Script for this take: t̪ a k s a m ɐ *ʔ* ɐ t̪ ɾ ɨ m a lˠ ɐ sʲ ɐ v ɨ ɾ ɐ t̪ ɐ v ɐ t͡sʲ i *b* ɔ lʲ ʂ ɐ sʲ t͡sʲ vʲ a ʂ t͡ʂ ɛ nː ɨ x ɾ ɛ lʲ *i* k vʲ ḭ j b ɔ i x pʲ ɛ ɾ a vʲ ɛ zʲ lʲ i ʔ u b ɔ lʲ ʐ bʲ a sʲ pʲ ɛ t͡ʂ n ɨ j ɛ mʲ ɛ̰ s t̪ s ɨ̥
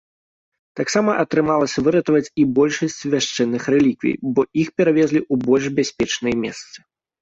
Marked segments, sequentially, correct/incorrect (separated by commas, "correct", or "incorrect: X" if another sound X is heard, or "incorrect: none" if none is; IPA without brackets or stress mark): correct, correct, correct